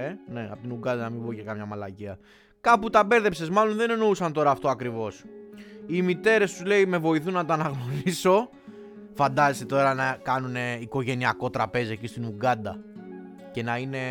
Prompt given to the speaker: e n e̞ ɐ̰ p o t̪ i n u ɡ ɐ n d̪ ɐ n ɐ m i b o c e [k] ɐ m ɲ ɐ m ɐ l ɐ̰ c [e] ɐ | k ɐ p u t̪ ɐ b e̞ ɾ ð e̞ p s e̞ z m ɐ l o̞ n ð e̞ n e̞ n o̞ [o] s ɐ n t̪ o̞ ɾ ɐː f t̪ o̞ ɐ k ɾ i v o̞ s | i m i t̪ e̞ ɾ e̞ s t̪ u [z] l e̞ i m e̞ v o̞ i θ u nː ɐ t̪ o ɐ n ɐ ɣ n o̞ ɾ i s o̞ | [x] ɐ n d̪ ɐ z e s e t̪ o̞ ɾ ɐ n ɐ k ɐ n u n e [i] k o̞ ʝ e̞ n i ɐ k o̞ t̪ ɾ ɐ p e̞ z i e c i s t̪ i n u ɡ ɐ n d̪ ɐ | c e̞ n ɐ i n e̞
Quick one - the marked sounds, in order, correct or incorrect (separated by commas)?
correct, incorrect, incorrect, correct, incorrect, correct